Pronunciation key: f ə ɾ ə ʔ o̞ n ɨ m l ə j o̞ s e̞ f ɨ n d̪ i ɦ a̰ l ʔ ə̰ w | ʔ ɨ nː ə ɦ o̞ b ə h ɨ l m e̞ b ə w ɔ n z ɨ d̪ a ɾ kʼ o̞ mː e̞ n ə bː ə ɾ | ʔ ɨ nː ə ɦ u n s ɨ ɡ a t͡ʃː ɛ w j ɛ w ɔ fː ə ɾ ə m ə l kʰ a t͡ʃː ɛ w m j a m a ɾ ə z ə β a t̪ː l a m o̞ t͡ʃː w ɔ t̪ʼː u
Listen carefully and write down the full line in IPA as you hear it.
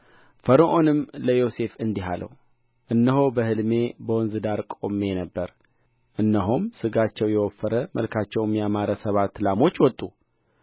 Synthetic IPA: f ə ɾ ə ʔ o̞ n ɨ m l ə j o̞ s e̞ f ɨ n d̪ i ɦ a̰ l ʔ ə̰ w | ʔ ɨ nː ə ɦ o̞ b ə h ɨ l m e̞ b ə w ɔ n z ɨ d̪ a ɾ kʼ o̞ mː e̞ n ə bː ə ɾ | ʔ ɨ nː ə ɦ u m s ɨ ɡ a t͡ʃː ɛ w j ɛ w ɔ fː ə ɾ ə m ə l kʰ a t͡ʃː ɛ w m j a m a ɾ ə s ə β a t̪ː l a m o̞ t͡ʃː w ɔ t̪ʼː u